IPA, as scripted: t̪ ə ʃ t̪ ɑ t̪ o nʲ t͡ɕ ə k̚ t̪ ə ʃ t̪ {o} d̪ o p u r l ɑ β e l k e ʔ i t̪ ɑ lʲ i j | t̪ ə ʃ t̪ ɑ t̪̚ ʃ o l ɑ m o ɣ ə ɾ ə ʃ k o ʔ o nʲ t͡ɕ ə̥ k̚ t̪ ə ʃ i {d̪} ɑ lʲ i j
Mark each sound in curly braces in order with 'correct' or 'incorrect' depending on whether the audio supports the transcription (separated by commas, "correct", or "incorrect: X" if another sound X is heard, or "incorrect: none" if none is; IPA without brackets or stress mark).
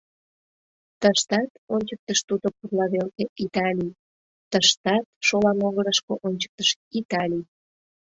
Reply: incorrect: u, incorrect: t̪